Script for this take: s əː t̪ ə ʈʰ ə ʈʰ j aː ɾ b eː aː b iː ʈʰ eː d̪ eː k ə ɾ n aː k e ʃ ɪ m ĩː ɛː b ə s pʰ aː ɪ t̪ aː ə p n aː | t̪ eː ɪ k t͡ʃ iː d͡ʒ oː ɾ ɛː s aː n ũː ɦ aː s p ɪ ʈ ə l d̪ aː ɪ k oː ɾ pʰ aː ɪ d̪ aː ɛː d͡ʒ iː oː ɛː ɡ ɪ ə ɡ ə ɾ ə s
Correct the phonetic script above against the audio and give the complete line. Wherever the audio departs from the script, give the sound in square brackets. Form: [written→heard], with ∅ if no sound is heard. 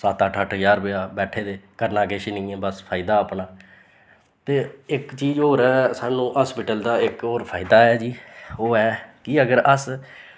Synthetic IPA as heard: s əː t̪ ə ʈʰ ə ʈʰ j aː ɾ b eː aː b [iː→ɛː] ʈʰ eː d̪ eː k ə ɾ n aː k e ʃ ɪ [m→n] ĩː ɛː b ə s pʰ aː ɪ [t̪→d̪] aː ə p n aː | t̪ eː ɪ k t͡ʃ iː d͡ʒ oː ɾ ɛː s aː n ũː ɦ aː s p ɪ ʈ ə l d̪ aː ɪ k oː ɾ pʰ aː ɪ d̪ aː ɛː d͡ʒ iː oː ɛː [ɡ→k] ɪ ə ɡ ə ɾ ə s